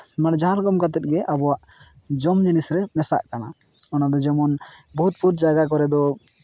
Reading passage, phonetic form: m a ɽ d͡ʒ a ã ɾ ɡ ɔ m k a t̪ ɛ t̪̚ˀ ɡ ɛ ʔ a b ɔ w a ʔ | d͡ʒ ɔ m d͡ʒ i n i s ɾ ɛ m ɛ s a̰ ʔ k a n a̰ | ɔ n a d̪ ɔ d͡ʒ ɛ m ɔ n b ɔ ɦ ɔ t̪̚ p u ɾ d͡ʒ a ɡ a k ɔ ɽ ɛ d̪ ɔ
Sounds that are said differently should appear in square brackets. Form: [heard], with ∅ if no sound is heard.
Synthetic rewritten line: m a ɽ d͡ʒ a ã ɾ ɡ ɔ m k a t̪ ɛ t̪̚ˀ ɡ ɛ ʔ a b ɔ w a ʔ | d͡ʒ ɔ m d͡ʒ i n i s ɾ ɛ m ɛ s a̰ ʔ k a n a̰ | ɔ n a d̪ ɔ d͡ʒ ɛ m ɔ n b ɔ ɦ [u] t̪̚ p u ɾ d͡ʒ a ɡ a k ɔ [ɾ] ɛ d̪ ɔ